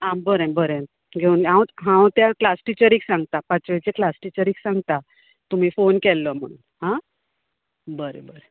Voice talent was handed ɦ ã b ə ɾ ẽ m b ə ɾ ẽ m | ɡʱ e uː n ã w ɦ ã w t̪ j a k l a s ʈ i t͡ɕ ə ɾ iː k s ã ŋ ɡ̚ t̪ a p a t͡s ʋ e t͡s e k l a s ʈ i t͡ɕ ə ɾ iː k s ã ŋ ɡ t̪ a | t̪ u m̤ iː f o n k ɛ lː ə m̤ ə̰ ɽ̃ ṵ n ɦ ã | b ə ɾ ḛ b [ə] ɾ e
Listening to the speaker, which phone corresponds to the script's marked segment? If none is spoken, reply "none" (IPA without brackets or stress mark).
ə